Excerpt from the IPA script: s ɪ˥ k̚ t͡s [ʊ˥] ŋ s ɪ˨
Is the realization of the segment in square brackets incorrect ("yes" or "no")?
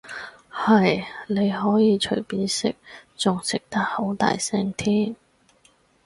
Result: yes